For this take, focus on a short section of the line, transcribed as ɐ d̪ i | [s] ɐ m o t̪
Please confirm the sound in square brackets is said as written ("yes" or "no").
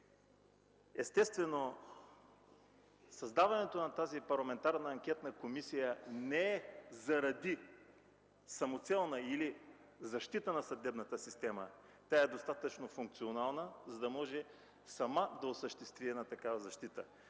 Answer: yes